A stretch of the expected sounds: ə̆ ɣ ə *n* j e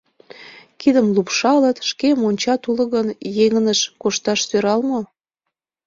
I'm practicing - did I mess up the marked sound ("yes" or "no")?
no